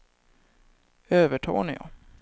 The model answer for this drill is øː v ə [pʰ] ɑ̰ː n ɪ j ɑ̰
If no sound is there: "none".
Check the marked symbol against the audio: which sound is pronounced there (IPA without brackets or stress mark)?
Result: ʈʰ